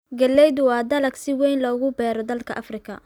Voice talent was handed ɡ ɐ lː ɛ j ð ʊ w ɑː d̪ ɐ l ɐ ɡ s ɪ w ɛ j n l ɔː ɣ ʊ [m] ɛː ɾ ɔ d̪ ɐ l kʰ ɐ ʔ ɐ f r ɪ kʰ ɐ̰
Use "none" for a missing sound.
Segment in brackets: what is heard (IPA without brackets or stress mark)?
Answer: b